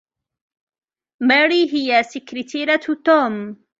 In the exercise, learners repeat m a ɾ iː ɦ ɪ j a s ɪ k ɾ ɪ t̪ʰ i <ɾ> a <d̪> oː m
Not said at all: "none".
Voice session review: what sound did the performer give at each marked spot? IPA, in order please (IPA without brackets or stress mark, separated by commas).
ɾ, t̪